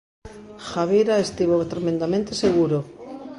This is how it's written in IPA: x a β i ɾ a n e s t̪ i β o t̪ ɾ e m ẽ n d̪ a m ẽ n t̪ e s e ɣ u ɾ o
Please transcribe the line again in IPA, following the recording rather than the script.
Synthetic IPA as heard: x a β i ɾ a e s t̪ i β o t̪ ɾ e m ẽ n d̪ a m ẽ n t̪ e s e ɣ u ɾ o